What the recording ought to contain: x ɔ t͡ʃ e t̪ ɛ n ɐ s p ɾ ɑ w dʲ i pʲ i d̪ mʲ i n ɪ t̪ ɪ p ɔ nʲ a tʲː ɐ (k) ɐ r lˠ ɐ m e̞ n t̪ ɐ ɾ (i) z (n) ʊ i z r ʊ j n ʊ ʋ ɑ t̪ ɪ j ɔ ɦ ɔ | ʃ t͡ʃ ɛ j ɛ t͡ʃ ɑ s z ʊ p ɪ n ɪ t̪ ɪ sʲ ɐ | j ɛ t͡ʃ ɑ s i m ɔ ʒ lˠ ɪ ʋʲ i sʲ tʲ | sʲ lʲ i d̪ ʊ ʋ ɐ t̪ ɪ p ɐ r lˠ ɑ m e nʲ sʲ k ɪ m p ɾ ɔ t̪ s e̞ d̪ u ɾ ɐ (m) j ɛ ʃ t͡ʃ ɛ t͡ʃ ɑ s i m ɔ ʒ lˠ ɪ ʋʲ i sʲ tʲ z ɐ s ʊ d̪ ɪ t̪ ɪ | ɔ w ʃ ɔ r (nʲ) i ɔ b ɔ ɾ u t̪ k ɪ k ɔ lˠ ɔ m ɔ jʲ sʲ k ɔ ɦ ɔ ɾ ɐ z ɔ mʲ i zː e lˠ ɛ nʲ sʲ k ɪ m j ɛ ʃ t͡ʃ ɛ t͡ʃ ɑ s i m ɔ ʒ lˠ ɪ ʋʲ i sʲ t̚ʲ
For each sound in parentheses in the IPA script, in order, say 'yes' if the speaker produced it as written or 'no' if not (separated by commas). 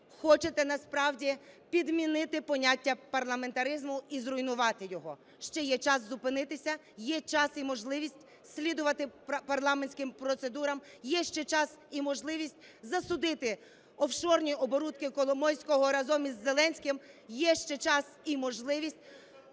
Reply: no, no, no, yes, yes